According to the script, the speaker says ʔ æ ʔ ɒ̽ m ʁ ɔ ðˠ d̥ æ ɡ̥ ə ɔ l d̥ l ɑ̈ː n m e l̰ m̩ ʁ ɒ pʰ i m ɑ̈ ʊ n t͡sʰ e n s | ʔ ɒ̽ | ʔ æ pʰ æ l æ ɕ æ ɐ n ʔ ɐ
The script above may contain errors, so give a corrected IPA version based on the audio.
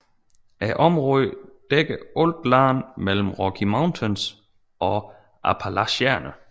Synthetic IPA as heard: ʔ æ ʔ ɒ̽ m ʁ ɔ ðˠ d̥ e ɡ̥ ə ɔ l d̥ l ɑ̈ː n m e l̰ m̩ ʁ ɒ kʰ i m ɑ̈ ʊ n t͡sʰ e n s | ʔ ɒ̽ | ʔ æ pʰ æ l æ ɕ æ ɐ n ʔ ə